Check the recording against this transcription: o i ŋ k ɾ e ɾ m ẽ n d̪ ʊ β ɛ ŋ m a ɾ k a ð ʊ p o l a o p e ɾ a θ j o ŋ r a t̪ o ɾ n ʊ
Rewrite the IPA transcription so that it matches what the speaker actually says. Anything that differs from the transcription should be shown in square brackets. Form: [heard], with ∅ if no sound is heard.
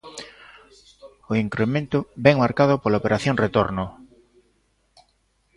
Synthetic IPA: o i ŋ k ɾ e [∅] m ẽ n [t̪] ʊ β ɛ ŋ m a ɾ k a ð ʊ p o l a o p e ɾ a θ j o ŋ r [e] t̪ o ɾ n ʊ